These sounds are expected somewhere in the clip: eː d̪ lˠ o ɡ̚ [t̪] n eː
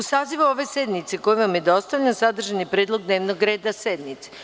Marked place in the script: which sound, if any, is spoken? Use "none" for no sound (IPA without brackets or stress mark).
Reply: d̪